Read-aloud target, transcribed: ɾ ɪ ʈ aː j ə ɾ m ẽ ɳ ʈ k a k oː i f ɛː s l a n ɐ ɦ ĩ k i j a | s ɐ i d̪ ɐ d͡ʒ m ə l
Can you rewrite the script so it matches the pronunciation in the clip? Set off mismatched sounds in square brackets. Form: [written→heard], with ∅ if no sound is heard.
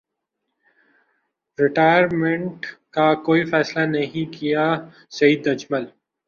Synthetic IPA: ɾ ɪ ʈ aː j ə ɾ m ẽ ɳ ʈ k a k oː i f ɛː s l a n ɐ ɦ ĩ k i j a | s ɐ [i→iː] d̪ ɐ d͡ʒ m ə l